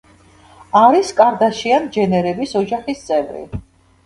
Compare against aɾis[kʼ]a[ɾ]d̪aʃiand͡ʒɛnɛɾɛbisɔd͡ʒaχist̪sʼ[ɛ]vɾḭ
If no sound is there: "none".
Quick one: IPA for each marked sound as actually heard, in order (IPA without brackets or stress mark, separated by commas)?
kʼ, ɾ, ɛ